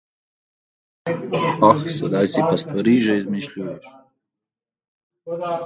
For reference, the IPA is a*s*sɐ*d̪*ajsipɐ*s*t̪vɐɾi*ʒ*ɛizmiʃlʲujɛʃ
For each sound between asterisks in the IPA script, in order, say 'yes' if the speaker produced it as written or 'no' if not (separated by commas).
no, yes, yes, yes